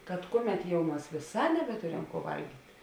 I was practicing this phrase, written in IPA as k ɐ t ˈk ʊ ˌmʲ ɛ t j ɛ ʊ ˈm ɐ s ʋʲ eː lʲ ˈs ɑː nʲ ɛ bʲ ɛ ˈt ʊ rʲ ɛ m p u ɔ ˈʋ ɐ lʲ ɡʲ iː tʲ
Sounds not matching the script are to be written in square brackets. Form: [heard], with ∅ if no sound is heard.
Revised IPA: k ɐ t ˈk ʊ ˌmʲ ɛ t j ɛ ʊ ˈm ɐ s ʋʲ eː [∅] ˈs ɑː nʲ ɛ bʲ ɛ ˈt ʊ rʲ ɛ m [k] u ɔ ˈʋ ɐ lʲ ɡʲ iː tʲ